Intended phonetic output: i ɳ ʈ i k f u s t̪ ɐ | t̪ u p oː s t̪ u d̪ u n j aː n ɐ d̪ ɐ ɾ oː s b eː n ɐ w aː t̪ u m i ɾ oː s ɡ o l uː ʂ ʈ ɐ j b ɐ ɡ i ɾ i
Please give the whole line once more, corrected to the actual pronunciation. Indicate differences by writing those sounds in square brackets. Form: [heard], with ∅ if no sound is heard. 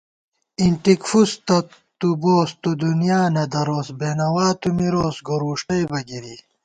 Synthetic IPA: i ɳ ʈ i k f u s t̪ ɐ | t̪ u [b] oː s t̪ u d̪ u n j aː n ɐ d̪ ɐ ɾ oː s b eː n ɐ w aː t̪ u m i ɾ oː s ɡ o [ɾ] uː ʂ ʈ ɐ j b ɐ ɡ i ɾ i